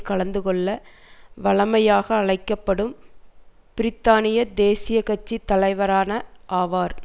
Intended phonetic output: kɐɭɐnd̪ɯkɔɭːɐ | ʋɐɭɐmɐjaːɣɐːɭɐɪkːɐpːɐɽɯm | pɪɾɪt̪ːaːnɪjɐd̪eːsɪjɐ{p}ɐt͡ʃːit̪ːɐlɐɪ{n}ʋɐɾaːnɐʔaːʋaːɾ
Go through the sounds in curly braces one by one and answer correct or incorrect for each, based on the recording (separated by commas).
incorrect, incorrect